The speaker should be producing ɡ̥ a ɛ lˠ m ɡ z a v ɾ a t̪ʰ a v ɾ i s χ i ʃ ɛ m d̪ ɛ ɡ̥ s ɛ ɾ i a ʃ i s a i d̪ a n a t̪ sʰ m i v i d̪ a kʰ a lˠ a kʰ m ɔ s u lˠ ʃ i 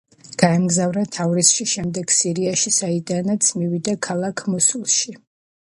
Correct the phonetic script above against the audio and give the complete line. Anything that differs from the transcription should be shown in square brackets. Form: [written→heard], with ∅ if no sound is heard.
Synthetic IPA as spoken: ɡ̥ a ɛ [lˠ→∅] m ɡ z a v ɾ a t̪ʰ a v ɾ i s [χ→ʃ] i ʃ ɛ m d̪ ɛ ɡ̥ s [ɛ→i] ɾ i a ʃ i s a i d̪ a n a t̪ sʰ m i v i d̪ a kʰ a lˠ a kʰ m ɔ s u lˠ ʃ i